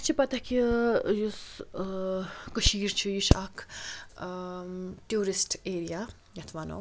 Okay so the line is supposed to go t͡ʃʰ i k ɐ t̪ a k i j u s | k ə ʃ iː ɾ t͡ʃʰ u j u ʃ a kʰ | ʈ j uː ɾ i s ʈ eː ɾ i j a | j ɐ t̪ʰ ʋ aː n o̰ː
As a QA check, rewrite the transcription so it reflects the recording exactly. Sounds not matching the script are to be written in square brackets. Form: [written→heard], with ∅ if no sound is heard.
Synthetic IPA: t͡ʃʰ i [k→p] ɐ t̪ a k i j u s | k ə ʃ iː ɾ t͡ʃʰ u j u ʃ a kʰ | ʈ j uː ɾ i s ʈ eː ɾ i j a | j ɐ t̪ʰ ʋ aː n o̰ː